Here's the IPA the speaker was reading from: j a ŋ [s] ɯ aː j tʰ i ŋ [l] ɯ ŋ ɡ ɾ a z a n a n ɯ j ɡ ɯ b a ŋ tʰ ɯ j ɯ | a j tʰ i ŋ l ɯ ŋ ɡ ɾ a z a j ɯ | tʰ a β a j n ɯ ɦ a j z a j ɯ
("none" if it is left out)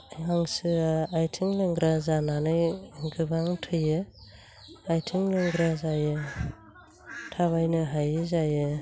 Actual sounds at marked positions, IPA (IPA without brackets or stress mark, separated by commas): s, l